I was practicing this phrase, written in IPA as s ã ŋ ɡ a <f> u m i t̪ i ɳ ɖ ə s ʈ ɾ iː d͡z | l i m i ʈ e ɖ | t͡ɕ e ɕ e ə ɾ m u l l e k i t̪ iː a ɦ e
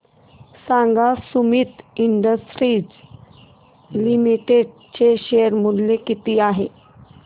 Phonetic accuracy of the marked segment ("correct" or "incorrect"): incorrect